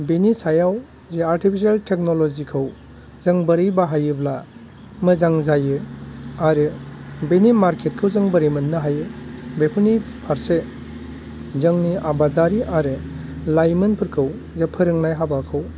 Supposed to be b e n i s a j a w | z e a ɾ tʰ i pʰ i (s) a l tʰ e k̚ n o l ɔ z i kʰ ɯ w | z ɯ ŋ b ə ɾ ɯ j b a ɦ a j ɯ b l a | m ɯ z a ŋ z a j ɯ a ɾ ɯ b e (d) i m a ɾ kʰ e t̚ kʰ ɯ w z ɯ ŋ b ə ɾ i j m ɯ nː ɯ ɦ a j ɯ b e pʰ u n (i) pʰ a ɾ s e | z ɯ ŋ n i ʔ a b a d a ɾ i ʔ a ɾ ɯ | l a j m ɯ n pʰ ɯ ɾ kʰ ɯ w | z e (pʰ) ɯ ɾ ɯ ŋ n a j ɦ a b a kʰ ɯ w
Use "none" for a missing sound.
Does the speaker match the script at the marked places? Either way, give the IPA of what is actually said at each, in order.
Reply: s, n, i, pʰ

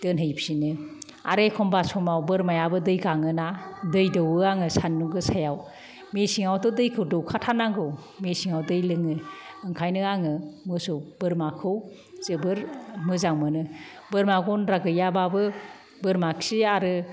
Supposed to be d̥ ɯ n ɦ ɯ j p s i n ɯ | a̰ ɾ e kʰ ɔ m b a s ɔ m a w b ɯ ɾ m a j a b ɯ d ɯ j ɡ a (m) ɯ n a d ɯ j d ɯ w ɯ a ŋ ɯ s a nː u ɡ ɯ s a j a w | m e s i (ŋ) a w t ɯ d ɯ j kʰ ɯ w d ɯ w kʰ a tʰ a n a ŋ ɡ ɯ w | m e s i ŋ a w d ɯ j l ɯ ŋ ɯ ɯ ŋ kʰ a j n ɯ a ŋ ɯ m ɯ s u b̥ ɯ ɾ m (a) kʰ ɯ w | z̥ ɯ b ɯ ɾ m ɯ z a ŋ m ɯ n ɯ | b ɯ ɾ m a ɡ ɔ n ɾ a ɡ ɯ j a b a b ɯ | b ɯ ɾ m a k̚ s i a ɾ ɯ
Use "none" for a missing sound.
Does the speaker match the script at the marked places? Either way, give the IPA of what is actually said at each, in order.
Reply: ŋ, ŋ, a

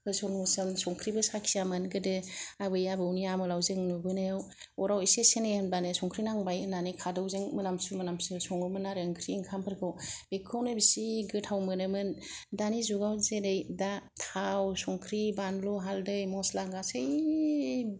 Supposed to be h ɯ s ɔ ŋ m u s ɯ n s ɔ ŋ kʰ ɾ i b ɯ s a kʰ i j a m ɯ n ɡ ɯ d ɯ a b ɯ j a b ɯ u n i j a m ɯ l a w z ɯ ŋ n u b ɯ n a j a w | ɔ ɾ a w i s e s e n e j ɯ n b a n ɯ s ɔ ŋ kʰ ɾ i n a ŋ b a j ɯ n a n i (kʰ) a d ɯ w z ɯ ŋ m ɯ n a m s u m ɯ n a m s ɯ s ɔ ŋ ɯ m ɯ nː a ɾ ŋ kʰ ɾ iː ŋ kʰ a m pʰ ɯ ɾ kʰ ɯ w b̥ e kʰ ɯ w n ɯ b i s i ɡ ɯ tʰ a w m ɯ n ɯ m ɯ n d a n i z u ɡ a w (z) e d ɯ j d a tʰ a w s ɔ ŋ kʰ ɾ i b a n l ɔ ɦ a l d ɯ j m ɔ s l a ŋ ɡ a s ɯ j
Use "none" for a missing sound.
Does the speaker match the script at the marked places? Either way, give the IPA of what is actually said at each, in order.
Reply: kʰ, z

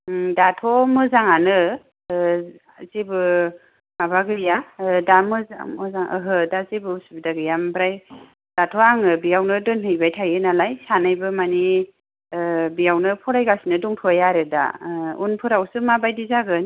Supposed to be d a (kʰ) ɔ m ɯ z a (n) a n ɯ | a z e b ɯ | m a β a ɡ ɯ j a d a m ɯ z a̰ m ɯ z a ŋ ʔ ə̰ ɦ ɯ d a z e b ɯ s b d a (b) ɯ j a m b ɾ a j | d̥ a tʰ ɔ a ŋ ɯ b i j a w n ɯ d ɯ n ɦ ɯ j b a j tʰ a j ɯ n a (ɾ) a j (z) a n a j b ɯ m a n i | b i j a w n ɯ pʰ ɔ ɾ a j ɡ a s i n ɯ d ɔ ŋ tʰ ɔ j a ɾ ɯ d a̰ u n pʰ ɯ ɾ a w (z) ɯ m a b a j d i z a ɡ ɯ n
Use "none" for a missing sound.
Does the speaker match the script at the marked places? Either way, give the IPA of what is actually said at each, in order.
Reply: tʰ, ŋ, ɡ, l, s, s

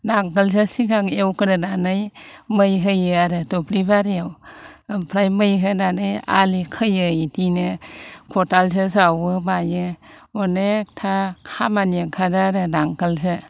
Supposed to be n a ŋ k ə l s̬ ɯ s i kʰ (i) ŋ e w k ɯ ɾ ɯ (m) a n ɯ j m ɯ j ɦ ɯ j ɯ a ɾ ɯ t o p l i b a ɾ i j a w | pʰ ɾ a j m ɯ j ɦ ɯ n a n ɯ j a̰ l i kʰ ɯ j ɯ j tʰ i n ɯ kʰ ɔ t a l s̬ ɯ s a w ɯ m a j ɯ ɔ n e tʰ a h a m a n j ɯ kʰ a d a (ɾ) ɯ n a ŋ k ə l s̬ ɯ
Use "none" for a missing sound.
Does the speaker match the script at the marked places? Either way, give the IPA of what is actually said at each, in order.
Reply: a, n, ɾ

